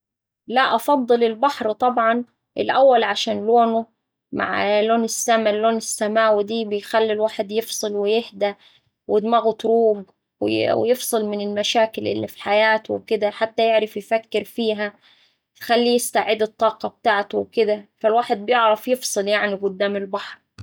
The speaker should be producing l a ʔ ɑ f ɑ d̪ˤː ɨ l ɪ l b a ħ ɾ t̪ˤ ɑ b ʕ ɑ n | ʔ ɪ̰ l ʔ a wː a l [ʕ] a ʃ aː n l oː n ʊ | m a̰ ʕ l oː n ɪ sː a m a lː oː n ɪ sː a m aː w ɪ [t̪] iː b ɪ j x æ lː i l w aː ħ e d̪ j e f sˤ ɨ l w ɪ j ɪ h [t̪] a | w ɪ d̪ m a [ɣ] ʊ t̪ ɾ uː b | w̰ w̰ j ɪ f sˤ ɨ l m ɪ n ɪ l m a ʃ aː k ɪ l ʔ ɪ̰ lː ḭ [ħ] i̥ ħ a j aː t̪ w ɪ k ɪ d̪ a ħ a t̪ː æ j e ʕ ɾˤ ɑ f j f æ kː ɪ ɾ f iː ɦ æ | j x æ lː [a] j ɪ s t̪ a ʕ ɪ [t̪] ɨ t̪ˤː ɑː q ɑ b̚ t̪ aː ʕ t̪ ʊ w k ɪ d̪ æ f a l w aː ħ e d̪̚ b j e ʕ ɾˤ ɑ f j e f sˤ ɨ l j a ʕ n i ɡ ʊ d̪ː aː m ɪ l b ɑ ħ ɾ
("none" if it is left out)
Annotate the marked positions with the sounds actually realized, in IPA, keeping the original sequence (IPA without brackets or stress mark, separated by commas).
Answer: ʕ, d̪, d̪, ɣ, f, i, d̪